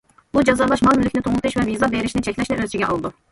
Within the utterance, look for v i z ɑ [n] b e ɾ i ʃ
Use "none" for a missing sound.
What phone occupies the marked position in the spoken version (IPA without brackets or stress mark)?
none